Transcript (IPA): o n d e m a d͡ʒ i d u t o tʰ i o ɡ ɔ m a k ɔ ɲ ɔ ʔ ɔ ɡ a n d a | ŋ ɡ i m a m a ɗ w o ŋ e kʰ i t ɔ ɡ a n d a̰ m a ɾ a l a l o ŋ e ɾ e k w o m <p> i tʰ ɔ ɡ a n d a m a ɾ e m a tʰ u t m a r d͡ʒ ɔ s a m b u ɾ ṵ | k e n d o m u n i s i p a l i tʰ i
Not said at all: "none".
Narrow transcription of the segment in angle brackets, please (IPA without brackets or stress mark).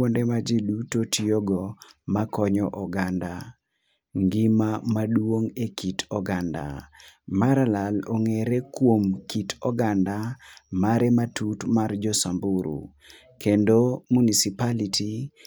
k